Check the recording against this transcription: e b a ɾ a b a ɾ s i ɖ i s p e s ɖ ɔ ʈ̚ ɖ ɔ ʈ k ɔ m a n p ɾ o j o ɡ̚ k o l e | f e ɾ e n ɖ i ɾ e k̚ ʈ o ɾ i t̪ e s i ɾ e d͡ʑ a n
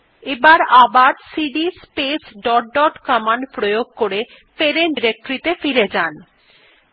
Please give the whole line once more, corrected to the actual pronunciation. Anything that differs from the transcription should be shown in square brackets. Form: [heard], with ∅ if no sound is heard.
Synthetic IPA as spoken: e b a ɾ a b a ɾ s i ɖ i s p e s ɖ ɔ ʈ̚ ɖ ɔ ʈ k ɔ m a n p ɾ o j o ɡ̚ k o [ɾ] e | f e ɾ e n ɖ i ɾ e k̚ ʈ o ɾ i t̪ e [f] i ɾ e d͡ʑ a n

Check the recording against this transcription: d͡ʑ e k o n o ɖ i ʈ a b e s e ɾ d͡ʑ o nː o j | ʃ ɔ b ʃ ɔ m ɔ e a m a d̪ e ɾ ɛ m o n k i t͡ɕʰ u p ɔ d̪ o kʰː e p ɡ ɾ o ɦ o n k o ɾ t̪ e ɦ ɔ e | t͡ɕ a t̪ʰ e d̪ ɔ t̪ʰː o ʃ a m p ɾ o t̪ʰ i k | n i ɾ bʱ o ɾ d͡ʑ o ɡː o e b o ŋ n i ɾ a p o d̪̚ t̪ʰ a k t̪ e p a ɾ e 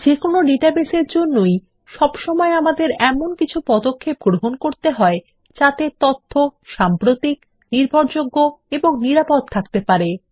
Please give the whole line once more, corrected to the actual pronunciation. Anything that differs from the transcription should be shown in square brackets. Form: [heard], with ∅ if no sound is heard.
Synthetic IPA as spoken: d͡ʑ e k o n o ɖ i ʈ a b e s e ɾ d͡ʑ o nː o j | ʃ ɔ b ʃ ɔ m ɔ e a m a d̪ e ɾ ɛ m o n k i t͡ɕʰ u p ɔ d̪ o kʰː e p ɡ ɾ o ɦ o n k o ɾ t̪ e ɦ ɔ e | t͡ɕ a [t̪] e [t̪] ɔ t̪ʰː o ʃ a m p ɾ o [t̪] i k | n i ɾ bʱ o ɾ d͡ʑ o ɡː o e b o ŋ n i ɾ a p o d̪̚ t̪ʰ a k t̪ e p a ɾ e

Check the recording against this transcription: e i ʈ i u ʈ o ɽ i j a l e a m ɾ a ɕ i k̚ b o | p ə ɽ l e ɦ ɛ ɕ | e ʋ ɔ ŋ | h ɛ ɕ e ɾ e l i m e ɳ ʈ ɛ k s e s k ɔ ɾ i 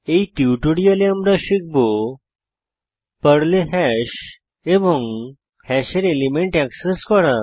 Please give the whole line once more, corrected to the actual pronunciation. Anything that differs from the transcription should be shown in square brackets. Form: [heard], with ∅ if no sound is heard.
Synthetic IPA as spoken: e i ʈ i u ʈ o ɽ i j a l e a m ɾ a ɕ i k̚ b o | p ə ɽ l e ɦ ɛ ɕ | e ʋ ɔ ŋ | h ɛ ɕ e ɾ e l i m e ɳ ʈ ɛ k s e s k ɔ ɾ [a]

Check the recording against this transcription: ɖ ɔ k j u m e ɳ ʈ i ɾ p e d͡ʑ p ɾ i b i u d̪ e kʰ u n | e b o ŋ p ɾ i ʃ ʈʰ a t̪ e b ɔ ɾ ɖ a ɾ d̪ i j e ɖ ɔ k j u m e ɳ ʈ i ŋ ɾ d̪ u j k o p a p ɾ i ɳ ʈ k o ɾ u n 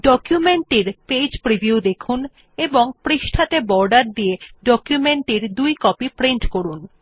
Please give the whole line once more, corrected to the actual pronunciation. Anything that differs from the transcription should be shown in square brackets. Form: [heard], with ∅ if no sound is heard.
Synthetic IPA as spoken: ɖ ɔ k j u m e ɳ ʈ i ɾ p e d͡ʑ p ɾ i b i u d̪ e kʰ u n | e b o ŋ p ɾ i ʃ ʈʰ a t̪ e b ɔ ɾ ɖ a ɾ d̪ i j e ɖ ɔ k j u m e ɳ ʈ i [∅] ɾ d̪ u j k [ɔ] p [i] p ɾ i ɳ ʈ k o ɾ u n

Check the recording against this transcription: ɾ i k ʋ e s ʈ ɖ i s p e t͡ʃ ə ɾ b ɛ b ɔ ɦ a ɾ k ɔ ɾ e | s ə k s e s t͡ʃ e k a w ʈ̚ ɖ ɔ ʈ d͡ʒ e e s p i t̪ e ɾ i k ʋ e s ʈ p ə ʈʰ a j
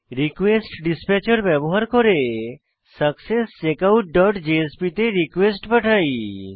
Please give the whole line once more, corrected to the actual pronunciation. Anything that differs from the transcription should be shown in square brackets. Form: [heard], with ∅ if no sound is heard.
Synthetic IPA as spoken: ɾ i k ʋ e s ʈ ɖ i s p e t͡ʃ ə ɾ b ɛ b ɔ ɦ a ɾ k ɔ ɾ e | s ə k s e s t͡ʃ e k a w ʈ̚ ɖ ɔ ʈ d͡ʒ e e s p i t̪ e ɾ i k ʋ e s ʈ p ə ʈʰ a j

